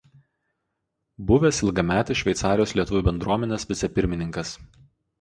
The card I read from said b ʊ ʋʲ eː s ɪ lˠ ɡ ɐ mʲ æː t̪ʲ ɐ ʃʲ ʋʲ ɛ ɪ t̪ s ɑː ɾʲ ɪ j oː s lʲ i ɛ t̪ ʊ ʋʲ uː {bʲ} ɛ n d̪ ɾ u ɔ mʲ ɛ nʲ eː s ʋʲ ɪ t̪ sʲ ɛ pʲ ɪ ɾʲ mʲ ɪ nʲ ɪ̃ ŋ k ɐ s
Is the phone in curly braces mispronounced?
no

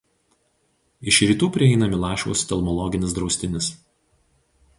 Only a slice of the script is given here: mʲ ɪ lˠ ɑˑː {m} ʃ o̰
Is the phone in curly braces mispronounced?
yes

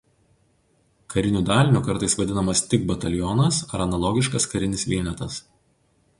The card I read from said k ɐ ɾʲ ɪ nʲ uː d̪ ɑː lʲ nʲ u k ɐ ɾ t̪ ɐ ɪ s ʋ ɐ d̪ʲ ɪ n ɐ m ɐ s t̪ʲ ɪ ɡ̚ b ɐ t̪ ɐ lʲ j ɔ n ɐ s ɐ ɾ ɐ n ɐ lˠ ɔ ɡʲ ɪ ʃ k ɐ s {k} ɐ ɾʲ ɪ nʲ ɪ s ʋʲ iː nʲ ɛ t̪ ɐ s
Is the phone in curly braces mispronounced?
no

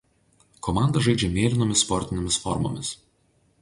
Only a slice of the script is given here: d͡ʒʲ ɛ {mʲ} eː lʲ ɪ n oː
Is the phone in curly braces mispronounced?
no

